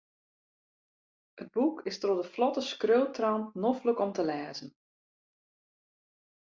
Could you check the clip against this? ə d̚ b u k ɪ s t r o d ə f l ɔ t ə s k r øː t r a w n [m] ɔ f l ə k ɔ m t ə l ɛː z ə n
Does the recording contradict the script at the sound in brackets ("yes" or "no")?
yes